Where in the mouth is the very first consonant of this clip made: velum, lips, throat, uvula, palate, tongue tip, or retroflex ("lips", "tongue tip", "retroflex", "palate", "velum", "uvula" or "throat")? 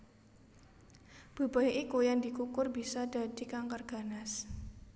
lips